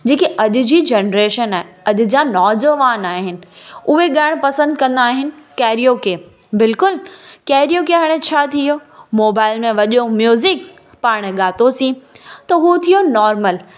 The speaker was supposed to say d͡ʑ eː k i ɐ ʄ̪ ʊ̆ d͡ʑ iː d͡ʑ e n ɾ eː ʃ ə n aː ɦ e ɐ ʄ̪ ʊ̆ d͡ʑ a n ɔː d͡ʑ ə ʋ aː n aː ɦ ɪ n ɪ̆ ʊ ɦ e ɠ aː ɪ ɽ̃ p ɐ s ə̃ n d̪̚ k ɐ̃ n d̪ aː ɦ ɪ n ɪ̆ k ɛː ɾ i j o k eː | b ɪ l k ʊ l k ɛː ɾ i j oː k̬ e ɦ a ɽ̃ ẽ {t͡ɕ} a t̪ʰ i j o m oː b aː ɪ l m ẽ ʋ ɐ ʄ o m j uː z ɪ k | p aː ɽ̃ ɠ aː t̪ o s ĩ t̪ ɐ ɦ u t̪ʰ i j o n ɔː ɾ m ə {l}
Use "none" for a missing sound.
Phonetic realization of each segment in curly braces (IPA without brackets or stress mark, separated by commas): t͡ɕʰ, l